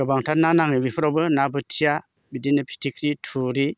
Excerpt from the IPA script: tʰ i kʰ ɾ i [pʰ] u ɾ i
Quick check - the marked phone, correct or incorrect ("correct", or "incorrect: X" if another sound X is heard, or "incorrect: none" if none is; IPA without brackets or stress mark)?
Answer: incorrect: tʰ